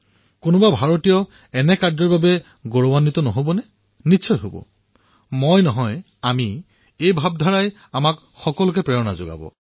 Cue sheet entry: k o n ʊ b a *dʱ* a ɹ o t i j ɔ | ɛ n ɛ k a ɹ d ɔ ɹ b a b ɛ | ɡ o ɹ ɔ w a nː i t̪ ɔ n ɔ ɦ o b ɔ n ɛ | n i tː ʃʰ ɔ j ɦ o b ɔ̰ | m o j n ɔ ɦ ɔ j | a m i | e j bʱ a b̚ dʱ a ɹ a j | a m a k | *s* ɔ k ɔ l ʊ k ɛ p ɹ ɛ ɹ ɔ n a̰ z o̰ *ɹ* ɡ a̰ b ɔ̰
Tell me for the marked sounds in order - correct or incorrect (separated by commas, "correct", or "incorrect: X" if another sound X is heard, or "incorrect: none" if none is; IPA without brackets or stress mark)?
incorrect: bʱ, incorrect: x, incorrect: none